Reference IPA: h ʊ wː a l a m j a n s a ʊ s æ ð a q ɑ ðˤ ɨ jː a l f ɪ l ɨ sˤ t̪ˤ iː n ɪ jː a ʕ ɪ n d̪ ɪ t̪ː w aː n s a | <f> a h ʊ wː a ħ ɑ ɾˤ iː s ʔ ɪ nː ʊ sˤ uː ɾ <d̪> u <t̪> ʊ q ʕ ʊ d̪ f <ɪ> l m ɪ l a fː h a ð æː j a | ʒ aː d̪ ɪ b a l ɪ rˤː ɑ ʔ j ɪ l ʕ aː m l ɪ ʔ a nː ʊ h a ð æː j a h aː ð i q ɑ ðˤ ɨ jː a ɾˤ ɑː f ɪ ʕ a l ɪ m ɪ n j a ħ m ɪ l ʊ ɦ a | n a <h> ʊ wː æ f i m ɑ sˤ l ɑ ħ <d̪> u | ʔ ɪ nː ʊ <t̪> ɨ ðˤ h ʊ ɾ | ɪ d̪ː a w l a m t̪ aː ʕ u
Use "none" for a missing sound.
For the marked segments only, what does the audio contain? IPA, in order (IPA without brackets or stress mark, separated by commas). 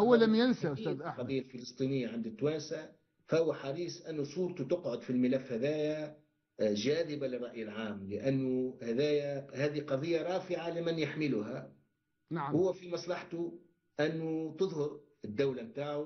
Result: f, t̪, t̪, i, h, t̪, t̪